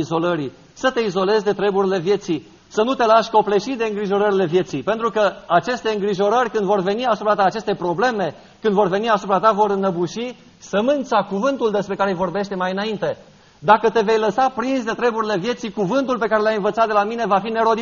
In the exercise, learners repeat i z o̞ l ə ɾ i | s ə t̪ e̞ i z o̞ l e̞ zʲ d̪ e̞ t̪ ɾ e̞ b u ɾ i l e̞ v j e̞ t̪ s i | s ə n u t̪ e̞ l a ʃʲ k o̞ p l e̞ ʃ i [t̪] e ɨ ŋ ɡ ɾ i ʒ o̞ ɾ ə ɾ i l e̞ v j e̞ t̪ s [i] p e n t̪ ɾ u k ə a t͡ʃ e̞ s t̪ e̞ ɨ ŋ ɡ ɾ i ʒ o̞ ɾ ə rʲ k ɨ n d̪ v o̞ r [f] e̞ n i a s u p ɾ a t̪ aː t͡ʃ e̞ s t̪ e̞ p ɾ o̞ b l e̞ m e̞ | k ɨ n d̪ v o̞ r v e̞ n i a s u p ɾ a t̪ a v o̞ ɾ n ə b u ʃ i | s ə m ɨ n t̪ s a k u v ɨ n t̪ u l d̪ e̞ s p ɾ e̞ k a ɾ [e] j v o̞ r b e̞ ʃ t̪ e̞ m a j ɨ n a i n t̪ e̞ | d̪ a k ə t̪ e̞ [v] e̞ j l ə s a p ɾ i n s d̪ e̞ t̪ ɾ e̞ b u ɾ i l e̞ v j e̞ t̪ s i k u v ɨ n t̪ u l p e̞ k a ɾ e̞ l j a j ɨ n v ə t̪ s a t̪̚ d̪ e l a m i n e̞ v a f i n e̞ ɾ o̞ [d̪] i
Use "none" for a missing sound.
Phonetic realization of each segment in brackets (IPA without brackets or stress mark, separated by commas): d̪, i, v, e, v, d̪